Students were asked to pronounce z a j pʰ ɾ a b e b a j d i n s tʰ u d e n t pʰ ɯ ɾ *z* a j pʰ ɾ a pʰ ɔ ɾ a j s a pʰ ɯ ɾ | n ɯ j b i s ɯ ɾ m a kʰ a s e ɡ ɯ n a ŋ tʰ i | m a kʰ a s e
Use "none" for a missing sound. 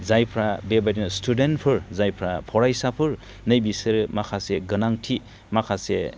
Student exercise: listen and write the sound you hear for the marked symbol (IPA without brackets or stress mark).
z